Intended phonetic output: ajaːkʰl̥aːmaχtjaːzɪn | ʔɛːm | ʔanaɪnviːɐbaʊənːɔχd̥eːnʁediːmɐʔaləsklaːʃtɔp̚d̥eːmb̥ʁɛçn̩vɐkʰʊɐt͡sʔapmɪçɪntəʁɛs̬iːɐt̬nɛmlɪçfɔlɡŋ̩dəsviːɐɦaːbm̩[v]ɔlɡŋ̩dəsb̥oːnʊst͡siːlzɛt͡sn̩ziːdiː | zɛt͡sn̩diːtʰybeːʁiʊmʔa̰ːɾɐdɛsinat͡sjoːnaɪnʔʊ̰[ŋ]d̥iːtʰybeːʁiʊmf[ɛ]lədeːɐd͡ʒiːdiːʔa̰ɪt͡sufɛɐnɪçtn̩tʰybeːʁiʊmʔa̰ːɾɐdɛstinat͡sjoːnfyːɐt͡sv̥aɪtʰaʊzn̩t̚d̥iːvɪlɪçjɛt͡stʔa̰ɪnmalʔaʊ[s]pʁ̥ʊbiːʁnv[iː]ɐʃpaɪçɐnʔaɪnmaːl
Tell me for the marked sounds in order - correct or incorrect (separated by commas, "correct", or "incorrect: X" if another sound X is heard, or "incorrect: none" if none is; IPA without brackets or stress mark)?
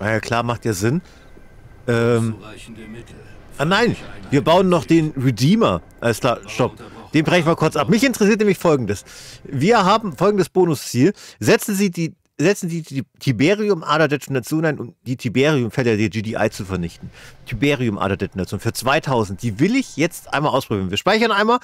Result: incorrect: f, incorrect: m, correct, correct, correct